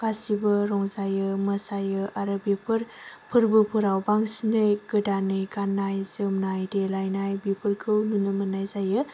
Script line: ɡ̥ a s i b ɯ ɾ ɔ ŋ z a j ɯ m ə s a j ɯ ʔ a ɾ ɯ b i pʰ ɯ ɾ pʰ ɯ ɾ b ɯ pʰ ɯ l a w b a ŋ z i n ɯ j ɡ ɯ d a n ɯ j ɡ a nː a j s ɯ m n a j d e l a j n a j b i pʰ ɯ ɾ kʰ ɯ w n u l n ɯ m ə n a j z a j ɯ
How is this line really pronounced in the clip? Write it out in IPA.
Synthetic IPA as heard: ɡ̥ a s i b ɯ ɾ ɔ ŋ z a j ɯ m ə s a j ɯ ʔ a ɾ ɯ b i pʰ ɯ ɾ pʰ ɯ ɾ b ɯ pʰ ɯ ɾ a w b a ŋ s i n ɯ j ɡ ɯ d a n ɯ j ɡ a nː a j z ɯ m n a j d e l a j n a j b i pʰ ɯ ɾ kʰ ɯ w n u n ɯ m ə n a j z a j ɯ